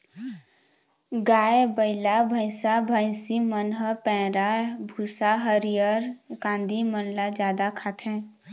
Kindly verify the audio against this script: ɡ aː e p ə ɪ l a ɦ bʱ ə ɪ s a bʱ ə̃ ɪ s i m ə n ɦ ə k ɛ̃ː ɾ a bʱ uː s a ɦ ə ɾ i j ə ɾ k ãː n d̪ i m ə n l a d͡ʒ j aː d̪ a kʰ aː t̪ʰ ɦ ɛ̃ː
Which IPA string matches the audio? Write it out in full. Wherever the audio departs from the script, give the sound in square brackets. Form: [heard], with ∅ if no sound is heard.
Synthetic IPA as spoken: ɡ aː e [b] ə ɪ l a [∅] bʱ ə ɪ s a bʱ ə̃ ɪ s i m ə n ɦ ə [p] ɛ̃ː ɾ a bʱ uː s a ɦ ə ɾ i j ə ɾ k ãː n d̪ i m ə n l a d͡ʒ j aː d̪ a kʰ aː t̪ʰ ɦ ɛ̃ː